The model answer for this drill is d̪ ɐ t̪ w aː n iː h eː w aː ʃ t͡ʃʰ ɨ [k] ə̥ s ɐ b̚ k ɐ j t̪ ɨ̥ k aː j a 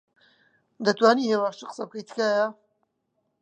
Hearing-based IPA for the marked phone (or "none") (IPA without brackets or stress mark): q